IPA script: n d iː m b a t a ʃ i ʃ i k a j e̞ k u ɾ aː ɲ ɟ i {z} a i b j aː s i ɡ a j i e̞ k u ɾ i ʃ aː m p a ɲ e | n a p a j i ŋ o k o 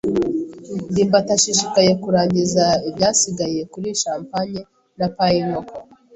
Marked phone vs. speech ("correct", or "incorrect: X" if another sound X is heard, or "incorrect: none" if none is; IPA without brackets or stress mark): correct